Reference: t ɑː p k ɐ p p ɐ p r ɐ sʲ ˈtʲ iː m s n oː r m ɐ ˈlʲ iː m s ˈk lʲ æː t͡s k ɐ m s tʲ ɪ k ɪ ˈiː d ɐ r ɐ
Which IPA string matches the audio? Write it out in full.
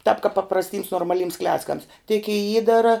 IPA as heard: t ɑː p k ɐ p p ɐ p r ɐ sʲ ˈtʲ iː m s n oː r m ɐ ˈlʲ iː m s ˈk lʲ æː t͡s k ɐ m s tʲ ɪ k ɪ ˈiː d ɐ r ɐ